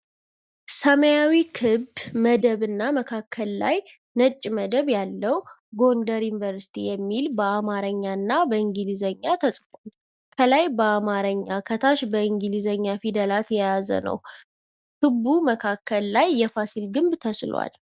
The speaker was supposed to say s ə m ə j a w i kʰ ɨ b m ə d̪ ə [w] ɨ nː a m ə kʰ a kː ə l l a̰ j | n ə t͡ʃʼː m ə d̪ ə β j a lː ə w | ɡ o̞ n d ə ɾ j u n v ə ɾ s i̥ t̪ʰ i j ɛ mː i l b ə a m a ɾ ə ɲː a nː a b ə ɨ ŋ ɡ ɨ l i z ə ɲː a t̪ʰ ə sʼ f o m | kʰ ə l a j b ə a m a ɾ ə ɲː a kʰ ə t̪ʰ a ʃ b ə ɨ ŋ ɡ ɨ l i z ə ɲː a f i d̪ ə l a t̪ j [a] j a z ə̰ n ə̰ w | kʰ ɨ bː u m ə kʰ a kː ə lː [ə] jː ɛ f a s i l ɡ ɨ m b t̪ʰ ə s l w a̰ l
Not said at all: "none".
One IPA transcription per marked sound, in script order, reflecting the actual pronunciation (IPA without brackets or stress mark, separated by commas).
β, ɛ, a